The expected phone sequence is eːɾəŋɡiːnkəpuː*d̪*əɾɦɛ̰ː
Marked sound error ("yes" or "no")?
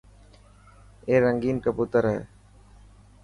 yes